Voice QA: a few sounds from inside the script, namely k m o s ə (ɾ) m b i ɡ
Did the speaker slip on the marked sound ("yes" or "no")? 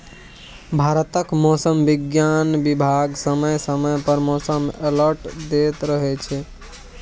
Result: yes